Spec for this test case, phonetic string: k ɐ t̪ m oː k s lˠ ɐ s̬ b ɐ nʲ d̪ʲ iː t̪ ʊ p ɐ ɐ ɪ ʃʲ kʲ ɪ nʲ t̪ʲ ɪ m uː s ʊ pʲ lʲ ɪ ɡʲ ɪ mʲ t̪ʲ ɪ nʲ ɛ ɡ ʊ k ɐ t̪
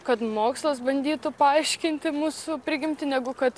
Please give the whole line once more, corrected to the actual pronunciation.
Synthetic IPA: k ɐ t̪ m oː k s lˠ ɐ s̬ b ɐ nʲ d̪ʲ iː t̪ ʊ p ɐ ɐ ɪ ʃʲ kʲ ɪ nʲ t̪ʲ ɪ m uː s ʊ pʲ ɾʲ ɪ ɡʲ ɪ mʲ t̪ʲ ɪ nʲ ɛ ɡ ʊ k ɐ t̪